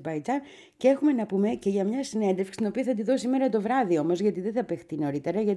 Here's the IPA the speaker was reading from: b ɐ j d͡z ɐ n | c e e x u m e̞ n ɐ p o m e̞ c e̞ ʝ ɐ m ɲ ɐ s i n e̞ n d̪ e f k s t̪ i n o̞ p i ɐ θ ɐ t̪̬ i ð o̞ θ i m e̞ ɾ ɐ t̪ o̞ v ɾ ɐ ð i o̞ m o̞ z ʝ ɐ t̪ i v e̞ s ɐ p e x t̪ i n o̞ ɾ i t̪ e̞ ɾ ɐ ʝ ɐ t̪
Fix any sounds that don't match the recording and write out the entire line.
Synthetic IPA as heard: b ɐ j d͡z ɐ n | c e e x u m e̞ n ɐ p u m e̞ c e̞ ʝ ɐ m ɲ ɐ s i n e̞ n d̪ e f k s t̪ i n o̞ p i ɐ θ ɐ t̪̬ i ð o̞ s i m e̞ ɾ ɐ t̪ o̞ v ɾ ɐ ð i o̞ m o̞ z ʝ ɐ t̪ i ð e̞ θ ɐ p e x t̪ i n o̞ ɾ i t̪ e̞ ɾ ɐ ʝ ɐ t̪